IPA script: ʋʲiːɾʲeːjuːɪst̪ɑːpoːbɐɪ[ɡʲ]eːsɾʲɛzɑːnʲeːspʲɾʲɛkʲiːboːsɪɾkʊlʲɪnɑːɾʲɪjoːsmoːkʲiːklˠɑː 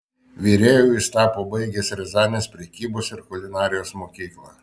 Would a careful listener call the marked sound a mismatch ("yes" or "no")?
no